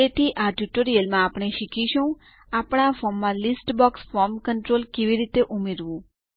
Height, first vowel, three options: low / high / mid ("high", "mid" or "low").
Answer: mid